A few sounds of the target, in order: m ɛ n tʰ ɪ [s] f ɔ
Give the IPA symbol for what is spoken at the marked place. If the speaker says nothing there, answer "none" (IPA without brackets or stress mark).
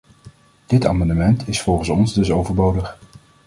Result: s